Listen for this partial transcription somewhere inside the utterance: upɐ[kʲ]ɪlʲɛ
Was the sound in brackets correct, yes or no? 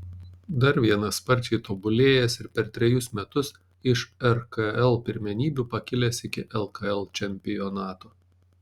yes